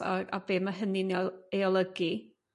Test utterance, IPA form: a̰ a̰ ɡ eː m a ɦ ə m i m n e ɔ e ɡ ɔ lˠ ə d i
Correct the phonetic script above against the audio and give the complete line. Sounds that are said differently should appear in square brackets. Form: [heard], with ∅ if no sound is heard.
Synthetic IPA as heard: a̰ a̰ [b] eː m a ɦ ə [n] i [∅] n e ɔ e [∅] ɔ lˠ ə [ɡ] i

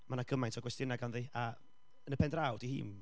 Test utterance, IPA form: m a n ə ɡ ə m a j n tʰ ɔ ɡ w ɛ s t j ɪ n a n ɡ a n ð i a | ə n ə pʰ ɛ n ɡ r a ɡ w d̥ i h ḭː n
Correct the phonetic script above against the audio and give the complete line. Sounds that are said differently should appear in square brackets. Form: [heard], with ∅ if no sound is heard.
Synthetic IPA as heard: m a n [a] ɡ ə m a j n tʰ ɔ ɡ w ɛ s t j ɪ n a [∅] ɡ a n ð i a | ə n ə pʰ ɛ n [d] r a [∅] w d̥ i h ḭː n

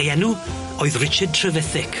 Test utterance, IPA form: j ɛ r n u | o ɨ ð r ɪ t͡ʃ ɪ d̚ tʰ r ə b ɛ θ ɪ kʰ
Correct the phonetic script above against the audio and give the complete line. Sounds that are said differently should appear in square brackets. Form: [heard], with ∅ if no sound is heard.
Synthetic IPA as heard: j ɛ [∅] n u | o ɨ ð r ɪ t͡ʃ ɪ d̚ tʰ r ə [v] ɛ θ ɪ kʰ

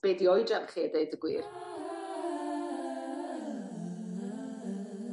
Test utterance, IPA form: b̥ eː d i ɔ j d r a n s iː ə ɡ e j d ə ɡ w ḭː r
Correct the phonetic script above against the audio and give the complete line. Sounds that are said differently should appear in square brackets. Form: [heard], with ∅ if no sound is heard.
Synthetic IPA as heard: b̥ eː d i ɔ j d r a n [χ] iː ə [d] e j d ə ɡ w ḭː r

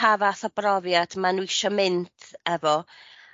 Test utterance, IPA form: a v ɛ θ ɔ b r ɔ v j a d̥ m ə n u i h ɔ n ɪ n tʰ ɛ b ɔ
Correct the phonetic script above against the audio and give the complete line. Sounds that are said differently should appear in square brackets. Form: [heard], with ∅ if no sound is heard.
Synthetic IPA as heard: a v [a] θ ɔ b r ɔ v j a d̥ m [a] n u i [ʃ] ɔ [m] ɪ n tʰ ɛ [v] ɔ

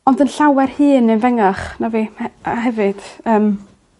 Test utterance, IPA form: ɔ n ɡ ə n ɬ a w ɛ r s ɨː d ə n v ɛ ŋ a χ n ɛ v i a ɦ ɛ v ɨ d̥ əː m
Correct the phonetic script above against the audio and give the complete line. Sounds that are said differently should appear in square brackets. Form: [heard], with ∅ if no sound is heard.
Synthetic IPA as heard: ɔ n [d] ə n ɬ a w ɛ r [h] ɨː [n] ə n v ɛ ŋ a χ n [a] v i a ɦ ɛ v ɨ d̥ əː m

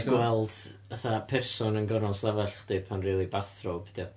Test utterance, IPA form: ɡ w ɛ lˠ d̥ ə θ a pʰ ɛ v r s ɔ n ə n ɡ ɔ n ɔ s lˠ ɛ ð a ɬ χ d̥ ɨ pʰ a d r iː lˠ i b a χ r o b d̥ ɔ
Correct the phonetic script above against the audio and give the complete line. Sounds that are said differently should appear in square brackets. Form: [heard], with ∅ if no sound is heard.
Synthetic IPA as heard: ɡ w ɛ lˠ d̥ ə θ a pʰ ɛ [∅] r s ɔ n ə n ɡ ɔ n ɔ s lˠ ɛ [v] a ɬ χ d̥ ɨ pʰ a [n] r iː lˠ i b a [θ] r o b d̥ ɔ

